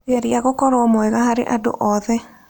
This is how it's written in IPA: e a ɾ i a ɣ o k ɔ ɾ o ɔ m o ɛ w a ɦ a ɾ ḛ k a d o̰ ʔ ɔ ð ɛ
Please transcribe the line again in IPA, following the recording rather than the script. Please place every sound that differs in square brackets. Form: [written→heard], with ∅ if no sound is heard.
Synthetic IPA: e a ɾ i a ɣ o k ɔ ɾ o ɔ m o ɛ [w→ɣ] a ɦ a ɾ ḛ [k→ʔ] a d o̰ ʔ ɔ ð ɛ

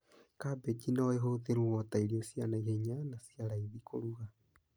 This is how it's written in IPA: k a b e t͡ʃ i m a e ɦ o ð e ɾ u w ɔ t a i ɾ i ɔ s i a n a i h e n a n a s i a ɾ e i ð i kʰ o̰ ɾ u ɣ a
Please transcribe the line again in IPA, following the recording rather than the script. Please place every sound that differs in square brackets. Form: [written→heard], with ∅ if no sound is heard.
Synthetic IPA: k a b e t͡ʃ i [m→n] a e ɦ o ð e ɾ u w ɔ t a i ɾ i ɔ s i a n a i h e [n→ɲ] a n a s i a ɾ [e→a] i ð i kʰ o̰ ɾ u ɣ a

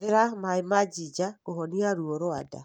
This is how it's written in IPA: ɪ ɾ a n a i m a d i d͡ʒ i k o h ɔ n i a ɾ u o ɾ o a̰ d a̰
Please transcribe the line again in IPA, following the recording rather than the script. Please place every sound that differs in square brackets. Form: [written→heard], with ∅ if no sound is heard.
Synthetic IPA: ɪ ɾ a [n→m] a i m a [d→d͡ʒ] i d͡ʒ [i→a] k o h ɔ n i a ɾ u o ɾ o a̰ d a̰

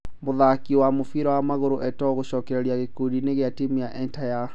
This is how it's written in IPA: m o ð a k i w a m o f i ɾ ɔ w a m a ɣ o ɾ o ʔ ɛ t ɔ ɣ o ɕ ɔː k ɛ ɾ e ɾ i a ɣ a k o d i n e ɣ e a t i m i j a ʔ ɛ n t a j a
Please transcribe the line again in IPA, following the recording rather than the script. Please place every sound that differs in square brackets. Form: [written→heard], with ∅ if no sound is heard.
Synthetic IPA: m o ð a k i w a m o f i ɾ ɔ w a m a ɣ o ɾ o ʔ ɛ t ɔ ɣ o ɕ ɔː k ɛ ɾ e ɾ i a ɣ [a→e] k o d i n e ɣ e a t i m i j a ʔ ɛ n t a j a

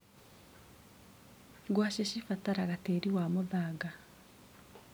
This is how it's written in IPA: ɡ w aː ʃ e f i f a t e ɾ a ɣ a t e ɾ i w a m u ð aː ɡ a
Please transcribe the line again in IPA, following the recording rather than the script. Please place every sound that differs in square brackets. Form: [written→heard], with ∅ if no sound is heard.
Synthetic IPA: ɡ w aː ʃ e [f→ʃ] i f a t [e→a] ɾ a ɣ a t e ɾ i w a m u ð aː ɡ a

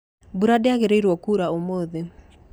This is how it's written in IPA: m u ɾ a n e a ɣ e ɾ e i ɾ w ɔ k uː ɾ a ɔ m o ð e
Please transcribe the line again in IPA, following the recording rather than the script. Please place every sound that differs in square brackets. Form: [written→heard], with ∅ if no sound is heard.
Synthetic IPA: [m→b] u ɾ a [n→d] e a ɣ e ɾ e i ɾ w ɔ k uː ɾ a [ɔ→o] m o ð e

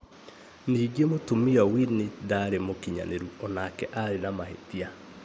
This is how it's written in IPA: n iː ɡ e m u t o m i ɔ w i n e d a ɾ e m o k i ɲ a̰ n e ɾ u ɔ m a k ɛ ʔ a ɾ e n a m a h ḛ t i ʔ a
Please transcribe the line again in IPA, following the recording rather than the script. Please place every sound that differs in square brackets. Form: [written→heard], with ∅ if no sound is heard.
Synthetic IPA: n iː ɡ e m [u→o] t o m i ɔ w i n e d a ɾ e m o k i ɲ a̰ n e ɾ u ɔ [m→n] a k ɛ ʔ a ɾ e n a m a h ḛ t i [ʔ→∅] a

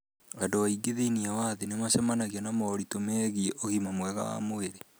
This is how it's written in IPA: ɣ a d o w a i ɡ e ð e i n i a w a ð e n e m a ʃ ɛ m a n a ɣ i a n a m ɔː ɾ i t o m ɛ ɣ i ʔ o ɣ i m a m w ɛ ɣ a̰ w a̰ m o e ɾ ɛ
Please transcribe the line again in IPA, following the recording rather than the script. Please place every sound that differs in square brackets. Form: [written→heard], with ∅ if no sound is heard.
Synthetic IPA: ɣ a d o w a i ɡ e ð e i n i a w a ð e n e m a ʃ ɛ m a n a ɣ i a n a m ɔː ɾ i t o m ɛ ɣ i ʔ o ɣ i m a m w ɛ ɣ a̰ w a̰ m o e ɾ [ɛ→e]

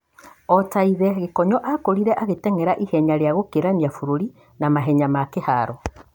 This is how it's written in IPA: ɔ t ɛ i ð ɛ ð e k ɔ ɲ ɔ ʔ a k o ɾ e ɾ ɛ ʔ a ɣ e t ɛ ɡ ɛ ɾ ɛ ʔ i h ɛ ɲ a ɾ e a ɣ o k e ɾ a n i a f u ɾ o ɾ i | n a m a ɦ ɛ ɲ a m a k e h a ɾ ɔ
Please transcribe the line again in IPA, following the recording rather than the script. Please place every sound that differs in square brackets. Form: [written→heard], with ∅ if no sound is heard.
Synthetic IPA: ɔ t [ɛ→a] i ð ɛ [ð→ɣ] e k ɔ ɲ ɔ ʔ a k o ɾ [e→i] ɾ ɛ ʔ a ɣ e t ɛ [ɡ→ŋ] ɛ ɾ [ɛ→a] ʔ i h ɛ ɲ a ɾ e a ɣ o k e ɾ a n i a f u ɾ o ɾ i | n a m a ɦ ɛ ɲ a m a k e h a ɾ ɔ

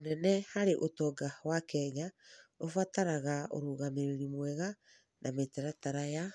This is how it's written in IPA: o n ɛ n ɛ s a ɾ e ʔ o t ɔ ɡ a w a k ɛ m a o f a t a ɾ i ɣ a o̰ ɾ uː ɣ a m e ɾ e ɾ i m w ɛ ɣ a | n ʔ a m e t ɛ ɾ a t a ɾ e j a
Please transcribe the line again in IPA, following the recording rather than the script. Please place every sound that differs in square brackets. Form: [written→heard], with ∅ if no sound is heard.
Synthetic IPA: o n ɛ n ɛ [s→h] a ɾ e ʔ o t ɔ ɡ a w a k ɛ [m→ɲ] a o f a t a ɾ [i→a] ɣ a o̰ ɾ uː ɣ a m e ɾ e ɾ i m w ɛ ɣ a | n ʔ a m e t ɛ ɾ a t a ɾ [e→a] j a

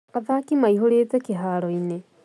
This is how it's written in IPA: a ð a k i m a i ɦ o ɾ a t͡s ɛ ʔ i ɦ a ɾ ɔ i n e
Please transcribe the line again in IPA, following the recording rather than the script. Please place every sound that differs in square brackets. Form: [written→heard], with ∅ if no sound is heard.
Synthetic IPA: a ð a k i m a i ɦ o ɾ [a→e] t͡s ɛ [ʔ→k] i ɦ a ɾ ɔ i n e

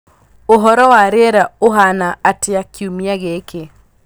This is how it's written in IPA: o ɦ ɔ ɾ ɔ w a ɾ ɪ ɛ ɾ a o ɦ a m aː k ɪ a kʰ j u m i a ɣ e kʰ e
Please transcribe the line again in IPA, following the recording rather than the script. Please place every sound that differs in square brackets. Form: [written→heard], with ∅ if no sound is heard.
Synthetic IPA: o ɦ ɔ ɾ ɔ w a ɾ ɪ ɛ ɾ a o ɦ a [m→n] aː [k→t] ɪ a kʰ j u m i a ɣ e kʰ e

